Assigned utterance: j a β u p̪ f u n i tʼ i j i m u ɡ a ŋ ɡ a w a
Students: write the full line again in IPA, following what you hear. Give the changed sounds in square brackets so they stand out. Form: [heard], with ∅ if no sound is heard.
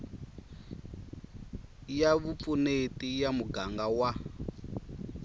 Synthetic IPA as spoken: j a β u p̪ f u n [e] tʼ i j [a] m u ɡ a ŋ ɡ a w a

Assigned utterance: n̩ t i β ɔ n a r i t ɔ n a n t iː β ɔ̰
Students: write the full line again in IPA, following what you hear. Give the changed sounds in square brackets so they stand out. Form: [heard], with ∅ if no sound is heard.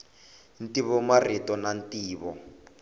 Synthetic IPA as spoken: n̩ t i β ɔ [m] a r i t ɔ n a n t iː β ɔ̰

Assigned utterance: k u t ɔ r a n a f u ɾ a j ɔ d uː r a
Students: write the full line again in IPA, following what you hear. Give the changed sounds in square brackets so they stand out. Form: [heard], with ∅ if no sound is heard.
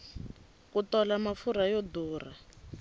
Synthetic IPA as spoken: k u t ɔ [l] a [m] a f u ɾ a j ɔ d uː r a

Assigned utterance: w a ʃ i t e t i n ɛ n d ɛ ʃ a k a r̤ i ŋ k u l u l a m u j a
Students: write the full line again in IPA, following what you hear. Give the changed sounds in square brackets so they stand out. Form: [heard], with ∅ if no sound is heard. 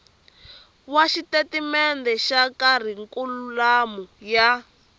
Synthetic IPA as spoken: w a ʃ i t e t i [m] ɛ n d ɛ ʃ a k a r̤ i ŋ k u l u l a m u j a

